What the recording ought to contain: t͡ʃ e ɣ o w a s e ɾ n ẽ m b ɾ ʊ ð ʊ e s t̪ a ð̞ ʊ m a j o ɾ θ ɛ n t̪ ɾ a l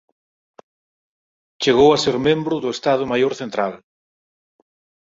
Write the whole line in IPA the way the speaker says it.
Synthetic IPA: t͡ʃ e ɣ o w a s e ɾ m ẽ m b ɾ ʊ ð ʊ e s t̪ a ð̞ ʊ m a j o ɾ θ e n t̪ ɾ a l

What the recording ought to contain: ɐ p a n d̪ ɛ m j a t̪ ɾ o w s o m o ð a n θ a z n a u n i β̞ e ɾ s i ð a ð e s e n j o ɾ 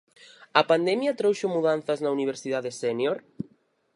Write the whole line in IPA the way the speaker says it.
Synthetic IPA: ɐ p a n d̪ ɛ m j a t̪ ɾ o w ʃ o m u ð a n θ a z n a u n i β̞ e ɾ s i ð a ð e s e n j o ɾ

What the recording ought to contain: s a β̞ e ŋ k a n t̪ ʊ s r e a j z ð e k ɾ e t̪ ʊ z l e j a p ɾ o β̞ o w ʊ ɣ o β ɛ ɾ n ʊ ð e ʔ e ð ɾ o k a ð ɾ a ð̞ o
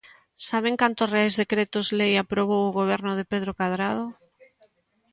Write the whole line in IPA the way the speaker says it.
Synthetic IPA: s a β̞ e ŋ k a n t̪ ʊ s r e a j z ð e k ɾ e t̪ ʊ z l e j a p ɾ o β̞ o w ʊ ɣ o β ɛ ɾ n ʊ ð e p e ð ɾ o k a ð ɾ a ð̞ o

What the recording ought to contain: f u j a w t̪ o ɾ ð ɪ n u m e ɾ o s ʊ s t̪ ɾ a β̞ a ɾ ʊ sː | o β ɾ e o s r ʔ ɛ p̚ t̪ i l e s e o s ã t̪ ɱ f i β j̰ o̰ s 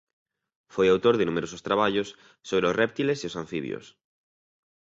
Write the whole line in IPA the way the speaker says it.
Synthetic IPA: f o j a w t̪ o ɾ ð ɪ n u m e ɾ o s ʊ s t̪ ɾ a β̞ a ʎ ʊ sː | o β ɾ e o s r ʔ ɛ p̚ t̪ i l e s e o s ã ɱ f i β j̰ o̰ s

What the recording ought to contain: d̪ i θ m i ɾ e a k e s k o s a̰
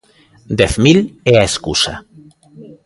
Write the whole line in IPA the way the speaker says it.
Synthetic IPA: d̪ e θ m i l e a e s k u s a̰

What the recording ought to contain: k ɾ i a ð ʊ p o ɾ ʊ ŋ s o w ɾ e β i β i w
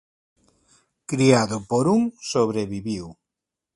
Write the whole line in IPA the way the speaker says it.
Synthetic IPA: k ɾ i a ð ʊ p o ɾ u ŋ s o β ɾ e β i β i w

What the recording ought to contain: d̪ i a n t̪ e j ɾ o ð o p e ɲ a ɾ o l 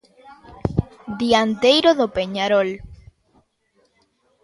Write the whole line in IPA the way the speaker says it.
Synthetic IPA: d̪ i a n t̪ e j ɾ o ð o p e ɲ a ɾ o l

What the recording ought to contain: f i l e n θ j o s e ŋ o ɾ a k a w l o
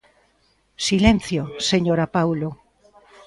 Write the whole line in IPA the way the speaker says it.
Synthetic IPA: s i l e n θ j o s e ɲ o ɾ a p a w l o

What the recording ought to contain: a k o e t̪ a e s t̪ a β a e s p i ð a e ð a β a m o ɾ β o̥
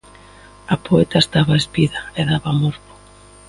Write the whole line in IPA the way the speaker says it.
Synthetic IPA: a p o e t̪ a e s t̪ a β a e s p i ð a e ð a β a m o ɾ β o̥

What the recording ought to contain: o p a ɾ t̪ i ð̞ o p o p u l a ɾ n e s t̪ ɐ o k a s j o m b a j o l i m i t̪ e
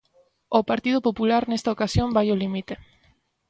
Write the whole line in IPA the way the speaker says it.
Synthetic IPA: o p a ɾ t̪ i ð̞ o p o p u l a ɾ n e s t̪ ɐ o k a s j o m b a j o l i m i t̪ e

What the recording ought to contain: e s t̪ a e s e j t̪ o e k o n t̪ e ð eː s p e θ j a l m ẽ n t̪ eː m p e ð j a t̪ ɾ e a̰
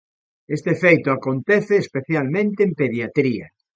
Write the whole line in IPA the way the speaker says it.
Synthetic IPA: e s t̪ e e f e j t̪ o a k o n t̪ e θ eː s p e θ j a l m ẽ n t̪ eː m p e ð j a t̪ ɾ i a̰

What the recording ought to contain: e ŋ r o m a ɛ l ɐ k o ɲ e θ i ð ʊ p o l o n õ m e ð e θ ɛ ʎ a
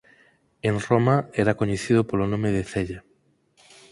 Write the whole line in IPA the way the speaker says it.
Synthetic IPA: e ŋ r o m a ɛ ɾ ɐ k o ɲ e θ i ð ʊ p o l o n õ m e ð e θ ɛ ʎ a

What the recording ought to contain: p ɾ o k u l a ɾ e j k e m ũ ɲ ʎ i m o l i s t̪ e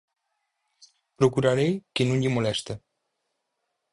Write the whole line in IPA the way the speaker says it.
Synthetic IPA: p ɾ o k u ɾ a ɾ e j k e n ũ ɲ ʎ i m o l ɛ s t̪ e

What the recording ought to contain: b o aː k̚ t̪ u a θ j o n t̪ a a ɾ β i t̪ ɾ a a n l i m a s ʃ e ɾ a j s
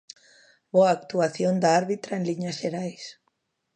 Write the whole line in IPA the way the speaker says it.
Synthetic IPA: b o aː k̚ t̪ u a θ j o n d̪ a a ɾ β i t̪ ɾ a e n l i ɲ a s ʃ e ɾ a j s

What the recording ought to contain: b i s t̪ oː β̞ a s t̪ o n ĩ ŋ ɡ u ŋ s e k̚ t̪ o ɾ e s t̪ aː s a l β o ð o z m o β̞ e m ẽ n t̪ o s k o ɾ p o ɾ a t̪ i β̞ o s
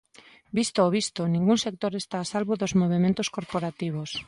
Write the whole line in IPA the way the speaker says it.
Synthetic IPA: b i s t̪ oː β̞ i s t̪ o n ĩ ŋ ɡ u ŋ s e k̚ t̪ o ɾ e s t̪ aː s a l β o ð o z m o β̞ e m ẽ n t̪ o s k o ɾ p o ɾ a t̪ i β̞ o s

